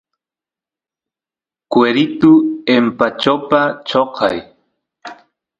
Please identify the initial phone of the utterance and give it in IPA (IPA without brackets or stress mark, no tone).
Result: k